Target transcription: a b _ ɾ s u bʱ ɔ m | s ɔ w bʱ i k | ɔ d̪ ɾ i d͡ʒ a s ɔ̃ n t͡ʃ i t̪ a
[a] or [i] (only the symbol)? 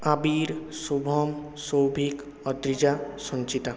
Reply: i